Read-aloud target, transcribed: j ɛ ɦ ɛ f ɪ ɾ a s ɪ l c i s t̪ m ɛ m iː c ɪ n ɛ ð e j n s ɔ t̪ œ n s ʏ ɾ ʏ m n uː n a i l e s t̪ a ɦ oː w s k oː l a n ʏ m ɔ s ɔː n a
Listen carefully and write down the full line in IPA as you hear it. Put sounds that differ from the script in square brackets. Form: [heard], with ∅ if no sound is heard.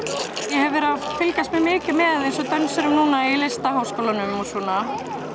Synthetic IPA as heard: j ɛ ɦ ɛ [v] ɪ ɾ a [f] ɪ l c [a] s t̪ m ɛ m [ɪː] c ɪ [m] ɛ ð e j n s ɔ t̪ œ n s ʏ ɾ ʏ m n uː n a i l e s t̪ a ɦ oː w s k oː l a n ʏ m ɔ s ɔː n a